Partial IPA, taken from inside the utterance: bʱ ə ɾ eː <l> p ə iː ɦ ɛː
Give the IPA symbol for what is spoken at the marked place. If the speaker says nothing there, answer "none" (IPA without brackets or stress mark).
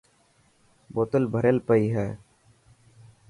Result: l